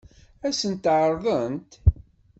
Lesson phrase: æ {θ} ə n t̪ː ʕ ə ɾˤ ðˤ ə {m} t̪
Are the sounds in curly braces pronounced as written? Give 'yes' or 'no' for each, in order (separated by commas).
no, no